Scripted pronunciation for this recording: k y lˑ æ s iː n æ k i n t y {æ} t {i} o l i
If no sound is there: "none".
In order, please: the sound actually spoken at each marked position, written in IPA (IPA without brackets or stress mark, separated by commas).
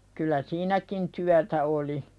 æ, æ